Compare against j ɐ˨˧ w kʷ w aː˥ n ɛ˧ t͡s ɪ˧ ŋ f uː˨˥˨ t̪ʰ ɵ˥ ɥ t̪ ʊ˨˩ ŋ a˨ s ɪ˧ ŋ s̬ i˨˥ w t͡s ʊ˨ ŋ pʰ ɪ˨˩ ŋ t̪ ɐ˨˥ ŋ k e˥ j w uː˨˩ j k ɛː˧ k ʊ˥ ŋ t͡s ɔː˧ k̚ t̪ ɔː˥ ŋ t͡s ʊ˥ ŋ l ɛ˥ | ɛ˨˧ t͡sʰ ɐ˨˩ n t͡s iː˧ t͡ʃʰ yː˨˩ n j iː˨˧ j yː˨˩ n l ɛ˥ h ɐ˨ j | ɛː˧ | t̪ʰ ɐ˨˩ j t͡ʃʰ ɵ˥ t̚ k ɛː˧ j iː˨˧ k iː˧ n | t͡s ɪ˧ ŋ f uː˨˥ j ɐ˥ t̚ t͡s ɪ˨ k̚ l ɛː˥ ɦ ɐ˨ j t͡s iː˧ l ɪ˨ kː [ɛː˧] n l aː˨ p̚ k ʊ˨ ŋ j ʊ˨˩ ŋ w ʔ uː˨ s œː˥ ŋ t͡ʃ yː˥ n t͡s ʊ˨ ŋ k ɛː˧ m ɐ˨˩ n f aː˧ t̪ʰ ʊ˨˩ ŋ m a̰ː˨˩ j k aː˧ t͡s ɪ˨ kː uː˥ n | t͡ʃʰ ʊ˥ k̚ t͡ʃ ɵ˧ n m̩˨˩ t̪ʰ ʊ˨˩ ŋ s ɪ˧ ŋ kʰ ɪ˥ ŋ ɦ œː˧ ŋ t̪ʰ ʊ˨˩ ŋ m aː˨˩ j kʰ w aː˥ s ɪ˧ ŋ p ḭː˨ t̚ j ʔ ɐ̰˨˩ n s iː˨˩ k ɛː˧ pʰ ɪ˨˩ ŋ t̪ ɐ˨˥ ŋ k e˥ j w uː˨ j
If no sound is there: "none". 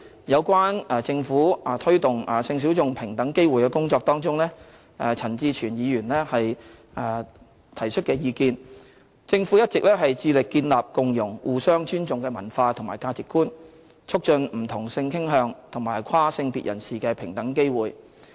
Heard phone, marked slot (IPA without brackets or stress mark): iː˧